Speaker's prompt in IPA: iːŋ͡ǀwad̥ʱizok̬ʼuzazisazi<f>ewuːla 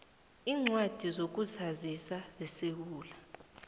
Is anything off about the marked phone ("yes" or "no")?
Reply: yes